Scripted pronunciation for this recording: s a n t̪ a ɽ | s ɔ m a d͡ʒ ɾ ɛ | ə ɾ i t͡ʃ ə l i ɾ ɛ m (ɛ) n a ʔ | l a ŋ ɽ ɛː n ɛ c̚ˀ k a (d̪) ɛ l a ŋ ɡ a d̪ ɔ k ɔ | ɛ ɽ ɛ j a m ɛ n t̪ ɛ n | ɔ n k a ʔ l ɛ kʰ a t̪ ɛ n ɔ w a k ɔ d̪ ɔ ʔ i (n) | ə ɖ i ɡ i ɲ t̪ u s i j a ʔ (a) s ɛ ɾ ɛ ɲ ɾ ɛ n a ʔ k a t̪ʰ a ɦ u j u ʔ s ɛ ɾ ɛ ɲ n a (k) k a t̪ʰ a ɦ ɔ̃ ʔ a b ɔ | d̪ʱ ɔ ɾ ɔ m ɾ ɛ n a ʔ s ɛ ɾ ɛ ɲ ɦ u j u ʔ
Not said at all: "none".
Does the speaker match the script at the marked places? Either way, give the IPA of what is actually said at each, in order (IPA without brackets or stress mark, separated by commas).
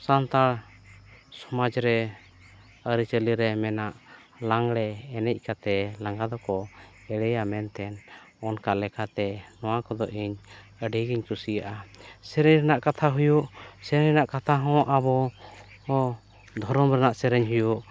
ɛ, t̪, ɲ, a, ʔ